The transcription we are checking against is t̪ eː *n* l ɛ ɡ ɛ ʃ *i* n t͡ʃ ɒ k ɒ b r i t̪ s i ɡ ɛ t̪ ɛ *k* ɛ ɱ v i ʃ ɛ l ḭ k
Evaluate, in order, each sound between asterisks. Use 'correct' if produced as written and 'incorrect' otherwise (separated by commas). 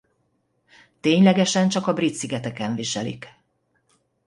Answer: incorrect, incorrect, correct